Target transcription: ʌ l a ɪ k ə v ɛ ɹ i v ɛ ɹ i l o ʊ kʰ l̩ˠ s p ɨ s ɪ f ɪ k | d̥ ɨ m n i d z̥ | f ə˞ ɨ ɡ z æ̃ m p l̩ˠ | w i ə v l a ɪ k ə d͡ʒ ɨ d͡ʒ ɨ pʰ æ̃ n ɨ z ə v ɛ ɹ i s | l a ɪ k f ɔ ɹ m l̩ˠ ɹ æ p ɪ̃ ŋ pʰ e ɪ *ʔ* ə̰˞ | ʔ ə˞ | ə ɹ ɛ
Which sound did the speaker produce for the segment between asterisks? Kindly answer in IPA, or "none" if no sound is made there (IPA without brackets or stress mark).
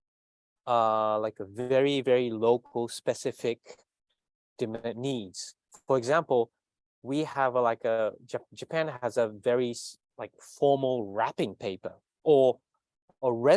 p